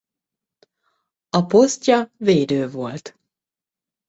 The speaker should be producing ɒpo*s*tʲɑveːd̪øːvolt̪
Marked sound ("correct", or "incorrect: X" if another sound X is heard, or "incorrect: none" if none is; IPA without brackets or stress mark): correct